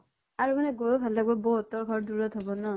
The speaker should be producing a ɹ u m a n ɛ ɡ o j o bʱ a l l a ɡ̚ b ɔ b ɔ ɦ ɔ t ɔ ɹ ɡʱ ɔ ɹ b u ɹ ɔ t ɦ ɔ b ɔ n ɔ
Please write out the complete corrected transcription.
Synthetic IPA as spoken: a ɹ u m a n ɛ ɡ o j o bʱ a l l a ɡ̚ b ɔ b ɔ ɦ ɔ t ɔ ɹ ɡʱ ɔ ɹ d u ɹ ɔ t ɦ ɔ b ɔ n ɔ